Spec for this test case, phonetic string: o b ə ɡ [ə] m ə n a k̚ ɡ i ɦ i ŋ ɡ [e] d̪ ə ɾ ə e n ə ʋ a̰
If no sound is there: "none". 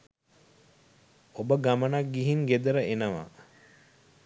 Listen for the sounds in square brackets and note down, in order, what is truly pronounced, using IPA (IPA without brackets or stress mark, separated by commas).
a, e